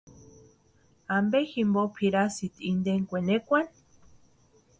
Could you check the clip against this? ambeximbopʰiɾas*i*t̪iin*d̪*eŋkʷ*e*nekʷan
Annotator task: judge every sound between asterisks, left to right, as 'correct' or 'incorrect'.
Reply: correct, correct, correct

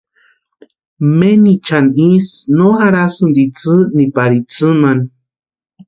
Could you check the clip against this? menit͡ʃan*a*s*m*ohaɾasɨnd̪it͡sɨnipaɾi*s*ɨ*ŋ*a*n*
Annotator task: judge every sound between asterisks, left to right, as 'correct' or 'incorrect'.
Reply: incorrect: i, incorrect: n, incorrect: t͡s, incorrect: m, correct

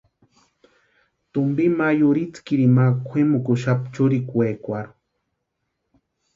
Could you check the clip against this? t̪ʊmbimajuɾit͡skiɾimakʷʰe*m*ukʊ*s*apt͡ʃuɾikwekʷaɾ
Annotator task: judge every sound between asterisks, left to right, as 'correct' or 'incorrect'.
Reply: correct, incorrect: ʃ

